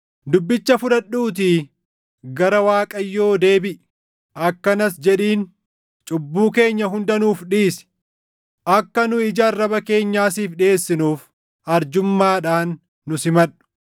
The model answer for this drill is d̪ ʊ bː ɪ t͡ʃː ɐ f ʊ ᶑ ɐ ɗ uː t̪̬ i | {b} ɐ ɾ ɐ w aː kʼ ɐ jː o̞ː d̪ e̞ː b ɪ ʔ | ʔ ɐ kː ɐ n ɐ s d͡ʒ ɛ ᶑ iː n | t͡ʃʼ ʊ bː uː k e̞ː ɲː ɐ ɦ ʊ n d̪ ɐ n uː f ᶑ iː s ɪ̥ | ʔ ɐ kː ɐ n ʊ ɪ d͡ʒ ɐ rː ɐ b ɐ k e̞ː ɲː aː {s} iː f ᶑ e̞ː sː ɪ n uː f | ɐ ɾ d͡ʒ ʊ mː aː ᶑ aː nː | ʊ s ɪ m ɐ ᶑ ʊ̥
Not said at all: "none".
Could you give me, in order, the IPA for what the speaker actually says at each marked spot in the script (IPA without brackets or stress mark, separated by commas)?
ɡ, s